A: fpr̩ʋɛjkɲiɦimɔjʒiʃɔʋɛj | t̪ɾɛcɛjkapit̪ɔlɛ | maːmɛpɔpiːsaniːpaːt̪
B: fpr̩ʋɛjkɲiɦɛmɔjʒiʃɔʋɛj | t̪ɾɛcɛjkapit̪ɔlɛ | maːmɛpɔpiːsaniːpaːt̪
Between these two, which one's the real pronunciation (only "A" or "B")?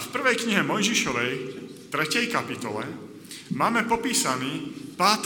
B